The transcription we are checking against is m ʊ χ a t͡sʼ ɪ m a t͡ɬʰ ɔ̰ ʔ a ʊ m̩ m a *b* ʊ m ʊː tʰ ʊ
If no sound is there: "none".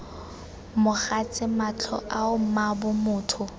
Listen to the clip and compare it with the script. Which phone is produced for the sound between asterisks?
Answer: b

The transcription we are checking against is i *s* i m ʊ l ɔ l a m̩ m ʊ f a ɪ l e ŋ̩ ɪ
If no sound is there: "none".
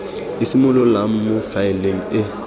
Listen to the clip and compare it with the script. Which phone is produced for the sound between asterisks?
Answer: s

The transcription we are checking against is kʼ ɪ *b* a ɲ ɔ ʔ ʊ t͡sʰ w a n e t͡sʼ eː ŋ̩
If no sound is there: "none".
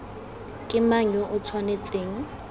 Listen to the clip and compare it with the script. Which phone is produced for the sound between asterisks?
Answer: m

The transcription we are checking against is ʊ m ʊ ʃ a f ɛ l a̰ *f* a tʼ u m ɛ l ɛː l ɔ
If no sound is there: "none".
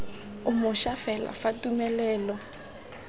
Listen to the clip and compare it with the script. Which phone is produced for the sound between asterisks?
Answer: f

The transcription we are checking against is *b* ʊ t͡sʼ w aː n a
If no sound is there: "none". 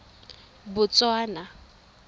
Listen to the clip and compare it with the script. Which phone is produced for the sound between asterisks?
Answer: b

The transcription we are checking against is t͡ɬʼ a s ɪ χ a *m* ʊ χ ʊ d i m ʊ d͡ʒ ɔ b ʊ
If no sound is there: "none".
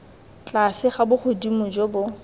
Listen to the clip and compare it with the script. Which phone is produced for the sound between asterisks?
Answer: b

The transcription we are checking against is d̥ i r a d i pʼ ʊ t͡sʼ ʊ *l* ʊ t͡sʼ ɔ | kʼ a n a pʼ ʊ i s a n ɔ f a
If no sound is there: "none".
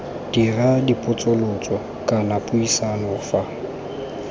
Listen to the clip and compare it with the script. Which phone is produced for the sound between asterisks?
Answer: l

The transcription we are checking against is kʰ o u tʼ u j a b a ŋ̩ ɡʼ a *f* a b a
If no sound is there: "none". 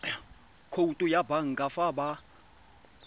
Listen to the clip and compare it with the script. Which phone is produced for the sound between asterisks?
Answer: f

